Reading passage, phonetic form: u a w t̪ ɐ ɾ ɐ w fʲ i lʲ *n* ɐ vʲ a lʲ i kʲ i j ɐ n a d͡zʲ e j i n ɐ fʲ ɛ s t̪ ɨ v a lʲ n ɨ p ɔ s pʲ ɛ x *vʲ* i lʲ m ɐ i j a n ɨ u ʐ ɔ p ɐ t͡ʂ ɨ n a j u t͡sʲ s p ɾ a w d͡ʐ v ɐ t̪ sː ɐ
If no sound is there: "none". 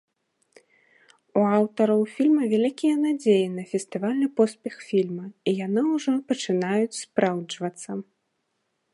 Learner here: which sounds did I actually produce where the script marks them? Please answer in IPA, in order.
m, fʲ

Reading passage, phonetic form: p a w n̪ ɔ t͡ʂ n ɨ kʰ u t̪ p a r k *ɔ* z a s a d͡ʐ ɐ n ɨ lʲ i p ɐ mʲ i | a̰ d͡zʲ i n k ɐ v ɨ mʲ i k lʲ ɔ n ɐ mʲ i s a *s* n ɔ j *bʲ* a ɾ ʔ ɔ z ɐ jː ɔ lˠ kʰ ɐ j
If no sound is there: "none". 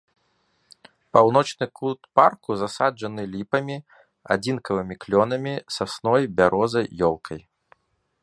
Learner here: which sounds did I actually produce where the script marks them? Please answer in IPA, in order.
u, s, bʲ

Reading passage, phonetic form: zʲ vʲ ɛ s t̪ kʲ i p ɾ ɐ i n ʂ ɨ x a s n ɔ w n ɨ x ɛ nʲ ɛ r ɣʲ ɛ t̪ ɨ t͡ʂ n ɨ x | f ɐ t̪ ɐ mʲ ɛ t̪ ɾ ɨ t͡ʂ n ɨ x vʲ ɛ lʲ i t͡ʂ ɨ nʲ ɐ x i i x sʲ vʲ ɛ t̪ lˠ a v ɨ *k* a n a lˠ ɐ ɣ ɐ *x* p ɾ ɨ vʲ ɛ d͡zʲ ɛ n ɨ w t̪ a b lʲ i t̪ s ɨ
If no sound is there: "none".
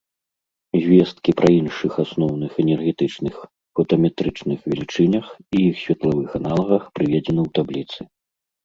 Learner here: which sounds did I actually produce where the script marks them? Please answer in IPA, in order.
x, x

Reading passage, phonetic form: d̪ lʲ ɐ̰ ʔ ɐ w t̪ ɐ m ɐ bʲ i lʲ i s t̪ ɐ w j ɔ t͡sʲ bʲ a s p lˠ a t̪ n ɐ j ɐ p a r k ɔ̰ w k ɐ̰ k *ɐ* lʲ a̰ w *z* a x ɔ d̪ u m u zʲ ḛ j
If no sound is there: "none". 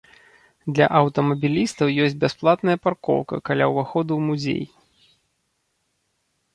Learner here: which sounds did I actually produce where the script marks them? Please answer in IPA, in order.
a, v

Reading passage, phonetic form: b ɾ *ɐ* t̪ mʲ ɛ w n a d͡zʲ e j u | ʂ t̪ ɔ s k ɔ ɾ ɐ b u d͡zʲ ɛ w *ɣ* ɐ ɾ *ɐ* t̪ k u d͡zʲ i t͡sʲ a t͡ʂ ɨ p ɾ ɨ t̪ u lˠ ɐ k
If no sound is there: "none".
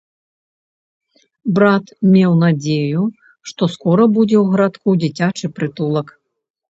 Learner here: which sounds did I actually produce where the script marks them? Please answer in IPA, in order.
a, ɣ, a

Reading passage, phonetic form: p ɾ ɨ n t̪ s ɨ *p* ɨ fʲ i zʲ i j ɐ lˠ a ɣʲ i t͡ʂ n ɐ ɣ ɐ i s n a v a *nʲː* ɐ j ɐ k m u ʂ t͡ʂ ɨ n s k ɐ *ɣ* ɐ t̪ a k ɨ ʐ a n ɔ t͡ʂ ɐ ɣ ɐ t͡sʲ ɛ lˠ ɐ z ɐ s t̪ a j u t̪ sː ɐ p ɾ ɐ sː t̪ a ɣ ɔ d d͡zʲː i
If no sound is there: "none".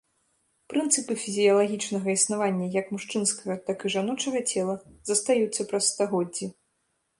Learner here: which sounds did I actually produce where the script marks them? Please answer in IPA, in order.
p, nʲː, ɣ

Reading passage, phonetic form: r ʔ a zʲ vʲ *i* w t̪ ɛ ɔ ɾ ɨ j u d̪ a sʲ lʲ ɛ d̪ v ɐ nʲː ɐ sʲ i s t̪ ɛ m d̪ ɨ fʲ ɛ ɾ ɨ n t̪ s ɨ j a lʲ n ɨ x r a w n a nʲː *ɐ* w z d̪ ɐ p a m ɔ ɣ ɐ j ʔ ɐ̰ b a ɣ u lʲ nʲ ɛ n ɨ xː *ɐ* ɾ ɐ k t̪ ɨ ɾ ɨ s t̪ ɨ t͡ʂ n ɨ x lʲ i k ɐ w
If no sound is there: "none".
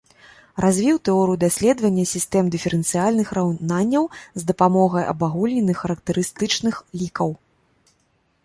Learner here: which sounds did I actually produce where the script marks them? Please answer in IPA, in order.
i, ɐ, ɐ

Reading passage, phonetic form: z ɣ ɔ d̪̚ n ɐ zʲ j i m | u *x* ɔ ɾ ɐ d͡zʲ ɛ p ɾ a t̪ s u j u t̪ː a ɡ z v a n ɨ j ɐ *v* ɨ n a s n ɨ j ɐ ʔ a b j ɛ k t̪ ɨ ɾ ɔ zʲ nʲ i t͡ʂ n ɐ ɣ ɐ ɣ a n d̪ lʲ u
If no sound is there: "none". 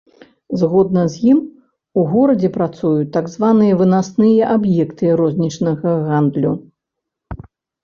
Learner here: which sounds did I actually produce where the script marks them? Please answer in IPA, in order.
ɣ, v

